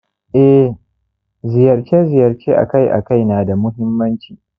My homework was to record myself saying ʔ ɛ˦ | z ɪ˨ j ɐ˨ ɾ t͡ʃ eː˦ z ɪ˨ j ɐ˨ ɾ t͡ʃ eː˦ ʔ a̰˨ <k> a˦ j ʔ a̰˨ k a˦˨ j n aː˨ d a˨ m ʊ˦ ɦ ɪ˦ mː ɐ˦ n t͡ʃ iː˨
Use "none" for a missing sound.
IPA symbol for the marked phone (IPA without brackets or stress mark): k